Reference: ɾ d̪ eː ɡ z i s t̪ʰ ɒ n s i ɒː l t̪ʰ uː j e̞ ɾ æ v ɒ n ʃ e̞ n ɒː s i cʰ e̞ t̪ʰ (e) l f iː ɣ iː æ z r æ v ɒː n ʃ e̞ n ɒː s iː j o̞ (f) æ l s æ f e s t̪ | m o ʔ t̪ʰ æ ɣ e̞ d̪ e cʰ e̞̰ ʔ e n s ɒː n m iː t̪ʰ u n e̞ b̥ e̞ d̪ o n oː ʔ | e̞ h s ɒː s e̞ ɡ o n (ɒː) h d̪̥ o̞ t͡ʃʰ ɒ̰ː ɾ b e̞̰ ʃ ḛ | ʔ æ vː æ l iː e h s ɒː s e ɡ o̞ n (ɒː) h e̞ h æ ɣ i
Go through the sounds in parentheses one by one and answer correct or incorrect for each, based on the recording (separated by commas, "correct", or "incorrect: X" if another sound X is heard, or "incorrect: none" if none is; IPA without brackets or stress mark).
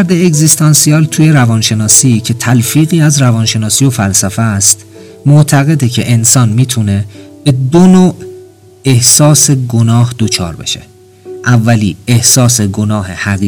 incorrect: æ, correct, correct, correct